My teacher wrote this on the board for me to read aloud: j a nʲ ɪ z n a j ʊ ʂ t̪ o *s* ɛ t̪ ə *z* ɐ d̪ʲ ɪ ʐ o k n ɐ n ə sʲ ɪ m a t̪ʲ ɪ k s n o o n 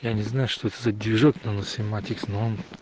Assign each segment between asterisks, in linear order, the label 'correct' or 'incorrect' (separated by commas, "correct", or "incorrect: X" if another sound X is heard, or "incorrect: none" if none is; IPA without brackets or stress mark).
incorrect: none, correct